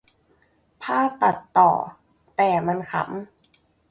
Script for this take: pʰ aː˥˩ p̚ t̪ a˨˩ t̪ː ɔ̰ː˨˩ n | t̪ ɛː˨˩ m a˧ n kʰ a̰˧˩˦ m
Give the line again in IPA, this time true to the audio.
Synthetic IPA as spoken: pʰ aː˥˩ p̚ t̪ a˨˩ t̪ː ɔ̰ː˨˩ | t̪ ɛː˨˩ m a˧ n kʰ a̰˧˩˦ m